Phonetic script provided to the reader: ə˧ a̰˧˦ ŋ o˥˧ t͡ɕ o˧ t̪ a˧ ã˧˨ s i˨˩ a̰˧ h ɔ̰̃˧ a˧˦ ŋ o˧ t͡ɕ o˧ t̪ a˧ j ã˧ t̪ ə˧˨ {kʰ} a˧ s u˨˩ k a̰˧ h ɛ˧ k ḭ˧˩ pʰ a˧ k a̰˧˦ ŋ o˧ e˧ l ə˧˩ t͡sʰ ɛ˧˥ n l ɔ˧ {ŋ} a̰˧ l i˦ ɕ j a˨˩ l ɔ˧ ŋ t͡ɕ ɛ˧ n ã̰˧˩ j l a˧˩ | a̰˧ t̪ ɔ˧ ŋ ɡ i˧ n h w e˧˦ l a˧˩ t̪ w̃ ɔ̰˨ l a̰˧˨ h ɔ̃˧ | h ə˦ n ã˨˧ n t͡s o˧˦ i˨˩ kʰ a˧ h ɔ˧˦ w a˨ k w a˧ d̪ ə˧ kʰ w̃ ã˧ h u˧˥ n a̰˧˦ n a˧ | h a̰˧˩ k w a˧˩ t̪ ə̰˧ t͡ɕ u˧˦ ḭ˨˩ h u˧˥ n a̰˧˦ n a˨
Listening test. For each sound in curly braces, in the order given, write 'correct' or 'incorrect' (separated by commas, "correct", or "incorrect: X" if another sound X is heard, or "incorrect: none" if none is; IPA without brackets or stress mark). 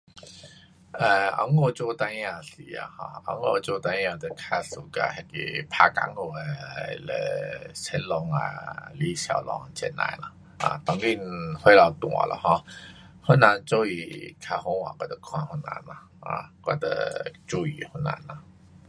correct, correct